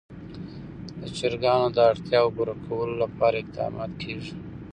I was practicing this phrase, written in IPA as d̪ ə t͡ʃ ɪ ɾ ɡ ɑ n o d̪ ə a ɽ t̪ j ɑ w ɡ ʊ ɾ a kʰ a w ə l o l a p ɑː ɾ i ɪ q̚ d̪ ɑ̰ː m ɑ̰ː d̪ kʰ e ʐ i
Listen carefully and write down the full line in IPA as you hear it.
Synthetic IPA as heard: d̪ ə t͡ʃ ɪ ɾ ɡ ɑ n o d̪ ə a ɽ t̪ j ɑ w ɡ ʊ ɾ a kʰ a w ə l o l a p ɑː ɾ a ɪ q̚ d̪ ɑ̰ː m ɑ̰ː t̪ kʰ e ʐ i